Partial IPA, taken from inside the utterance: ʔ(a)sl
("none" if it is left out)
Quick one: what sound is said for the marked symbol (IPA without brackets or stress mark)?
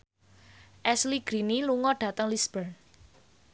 ɛ